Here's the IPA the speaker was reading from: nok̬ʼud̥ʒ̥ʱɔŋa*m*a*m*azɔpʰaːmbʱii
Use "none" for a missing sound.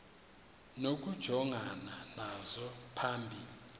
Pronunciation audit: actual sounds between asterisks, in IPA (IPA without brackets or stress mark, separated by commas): n, n